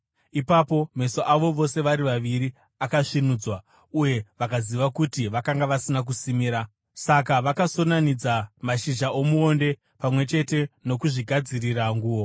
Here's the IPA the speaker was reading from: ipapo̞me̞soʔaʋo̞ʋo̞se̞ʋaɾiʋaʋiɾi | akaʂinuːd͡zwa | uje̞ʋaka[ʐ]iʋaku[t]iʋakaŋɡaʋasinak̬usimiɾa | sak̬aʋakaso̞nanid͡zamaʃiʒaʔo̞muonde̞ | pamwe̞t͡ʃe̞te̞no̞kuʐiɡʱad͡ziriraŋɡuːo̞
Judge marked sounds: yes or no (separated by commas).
no, yes